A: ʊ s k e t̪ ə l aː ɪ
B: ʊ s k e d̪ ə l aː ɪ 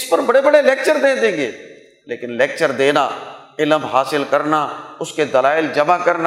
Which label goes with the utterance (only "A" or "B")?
B